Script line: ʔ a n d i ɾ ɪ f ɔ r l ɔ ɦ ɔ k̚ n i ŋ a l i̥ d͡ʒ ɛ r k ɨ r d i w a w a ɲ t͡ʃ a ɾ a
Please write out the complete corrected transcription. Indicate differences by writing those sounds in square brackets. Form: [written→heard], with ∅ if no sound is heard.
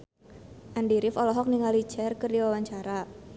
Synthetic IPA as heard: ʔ a n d i ɾ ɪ f ɔ [r→∅] l ɔ ɦ ɔ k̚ n i ŋ a l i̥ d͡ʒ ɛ r k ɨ r d i w a w a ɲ t͡ʃ a ɾ a